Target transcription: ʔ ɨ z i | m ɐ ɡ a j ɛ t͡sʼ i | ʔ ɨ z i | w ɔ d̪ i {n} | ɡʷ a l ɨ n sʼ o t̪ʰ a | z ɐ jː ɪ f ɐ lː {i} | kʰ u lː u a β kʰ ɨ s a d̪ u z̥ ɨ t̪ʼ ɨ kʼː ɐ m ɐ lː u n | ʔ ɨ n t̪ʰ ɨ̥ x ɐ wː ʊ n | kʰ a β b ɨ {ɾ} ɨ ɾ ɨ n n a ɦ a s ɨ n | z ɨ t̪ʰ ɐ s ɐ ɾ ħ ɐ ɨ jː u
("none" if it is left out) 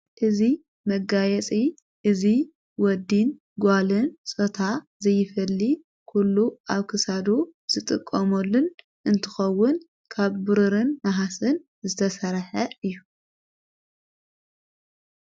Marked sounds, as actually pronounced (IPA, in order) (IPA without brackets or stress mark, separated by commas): n, i, ɾ